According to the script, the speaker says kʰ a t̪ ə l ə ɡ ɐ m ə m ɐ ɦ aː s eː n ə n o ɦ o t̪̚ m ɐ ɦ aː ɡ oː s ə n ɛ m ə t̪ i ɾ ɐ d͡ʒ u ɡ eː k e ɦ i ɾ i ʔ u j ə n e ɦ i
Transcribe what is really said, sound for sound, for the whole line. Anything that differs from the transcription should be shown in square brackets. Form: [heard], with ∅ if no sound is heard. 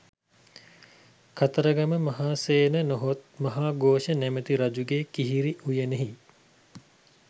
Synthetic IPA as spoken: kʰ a t̪ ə [ɾ] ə ɡ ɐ m ə m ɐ ɦ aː s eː n ə n o ɦ o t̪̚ m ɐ ɦ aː ɡ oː [ʃ] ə n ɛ m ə t̪ i ɾ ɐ d͡ʒ u ɡ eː k [i] ɦ i ɾ i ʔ u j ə n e ɦ i